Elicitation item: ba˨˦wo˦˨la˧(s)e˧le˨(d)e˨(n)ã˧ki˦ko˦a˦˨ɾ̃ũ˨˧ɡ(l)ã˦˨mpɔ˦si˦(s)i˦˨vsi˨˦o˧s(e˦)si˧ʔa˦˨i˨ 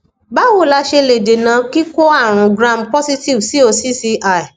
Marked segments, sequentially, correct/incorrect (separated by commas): incorrect, correct, correct, incorrect, incorrect, incorrect